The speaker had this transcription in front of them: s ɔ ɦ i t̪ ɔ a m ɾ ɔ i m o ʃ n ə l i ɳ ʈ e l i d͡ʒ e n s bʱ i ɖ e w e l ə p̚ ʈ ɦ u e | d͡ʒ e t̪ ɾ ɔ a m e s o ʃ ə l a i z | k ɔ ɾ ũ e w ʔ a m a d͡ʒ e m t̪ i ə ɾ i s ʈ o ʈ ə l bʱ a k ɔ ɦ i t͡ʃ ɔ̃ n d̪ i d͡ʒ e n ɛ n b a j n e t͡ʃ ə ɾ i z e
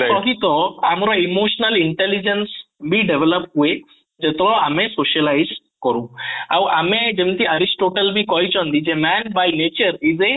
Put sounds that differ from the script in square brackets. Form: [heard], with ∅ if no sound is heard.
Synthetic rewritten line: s ɔ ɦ i t̪ ɔ a m ɾ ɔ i m o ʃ n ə l i ɳ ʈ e l i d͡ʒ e n s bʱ i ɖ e [ʋ] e l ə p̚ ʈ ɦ u e | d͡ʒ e t̪ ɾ ɔ a m e s o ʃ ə l a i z | k ɔ ɾ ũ [a] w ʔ a m [e] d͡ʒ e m t̪ i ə ɾ i s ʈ o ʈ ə l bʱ [i] k ɔ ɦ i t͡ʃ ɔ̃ n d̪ i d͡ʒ e [m] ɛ n b a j n e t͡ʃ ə ɾ i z e